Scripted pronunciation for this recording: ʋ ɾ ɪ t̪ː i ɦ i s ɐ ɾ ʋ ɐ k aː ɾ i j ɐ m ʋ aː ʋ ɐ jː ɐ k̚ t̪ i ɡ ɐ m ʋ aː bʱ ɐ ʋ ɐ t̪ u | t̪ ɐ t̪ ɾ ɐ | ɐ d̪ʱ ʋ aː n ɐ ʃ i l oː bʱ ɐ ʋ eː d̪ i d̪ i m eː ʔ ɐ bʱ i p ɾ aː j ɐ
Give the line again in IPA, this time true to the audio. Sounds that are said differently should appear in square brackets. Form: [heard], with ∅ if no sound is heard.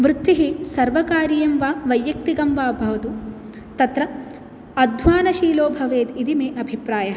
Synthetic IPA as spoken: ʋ ɾ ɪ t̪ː i ɦ i s ɐ ɾ ʋ ɐ k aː ɾ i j ɐ m ʋ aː ʋ ɐ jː ɐ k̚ t̪ i ɡ ɐ m ʋ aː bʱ ɐ ʋ ɐ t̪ u | t̪ ɐ t̪ ɾ ɐ | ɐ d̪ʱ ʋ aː n ɐ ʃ [iː] l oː bʱ ɐ ʋ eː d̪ i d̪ i m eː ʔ ɐ bʱ i p ɾ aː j ɐ